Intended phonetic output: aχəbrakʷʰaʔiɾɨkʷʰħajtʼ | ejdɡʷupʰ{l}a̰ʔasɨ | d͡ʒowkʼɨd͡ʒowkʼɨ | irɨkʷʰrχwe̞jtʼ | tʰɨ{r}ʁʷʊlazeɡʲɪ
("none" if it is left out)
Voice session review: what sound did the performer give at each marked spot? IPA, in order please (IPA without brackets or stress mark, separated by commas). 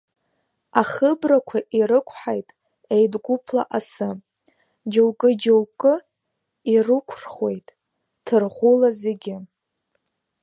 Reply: l, r